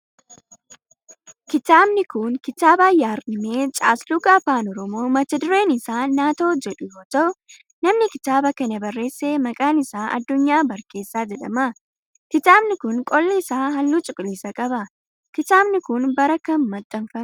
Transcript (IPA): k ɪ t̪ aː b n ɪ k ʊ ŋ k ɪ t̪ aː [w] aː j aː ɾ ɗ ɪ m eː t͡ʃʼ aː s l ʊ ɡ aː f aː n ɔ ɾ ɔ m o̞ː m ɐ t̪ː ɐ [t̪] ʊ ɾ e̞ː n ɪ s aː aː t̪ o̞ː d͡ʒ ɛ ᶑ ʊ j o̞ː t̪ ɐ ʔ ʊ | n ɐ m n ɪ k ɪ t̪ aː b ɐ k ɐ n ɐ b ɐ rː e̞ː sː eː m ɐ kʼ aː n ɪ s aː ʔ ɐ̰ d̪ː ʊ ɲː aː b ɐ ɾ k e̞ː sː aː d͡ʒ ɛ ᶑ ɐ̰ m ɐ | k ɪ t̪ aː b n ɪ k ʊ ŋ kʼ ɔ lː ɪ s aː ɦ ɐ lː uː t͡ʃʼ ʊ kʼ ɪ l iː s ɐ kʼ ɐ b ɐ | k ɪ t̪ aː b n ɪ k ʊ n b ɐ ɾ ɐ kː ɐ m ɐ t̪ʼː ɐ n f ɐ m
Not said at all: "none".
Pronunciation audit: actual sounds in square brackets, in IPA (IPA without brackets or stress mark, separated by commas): b, d̪